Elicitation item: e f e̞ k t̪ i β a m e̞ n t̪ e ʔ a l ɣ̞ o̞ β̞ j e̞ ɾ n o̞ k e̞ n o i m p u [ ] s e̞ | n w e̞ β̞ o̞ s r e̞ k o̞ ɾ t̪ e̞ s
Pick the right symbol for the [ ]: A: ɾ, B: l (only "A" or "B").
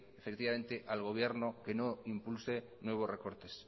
B